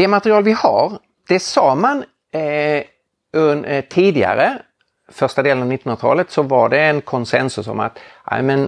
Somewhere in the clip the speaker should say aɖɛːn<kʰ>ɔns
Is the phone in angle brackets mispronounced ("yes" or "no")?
no